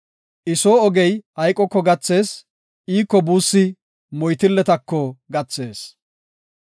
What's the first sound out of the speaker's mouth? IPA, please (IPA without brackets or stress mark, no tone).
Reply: ʔ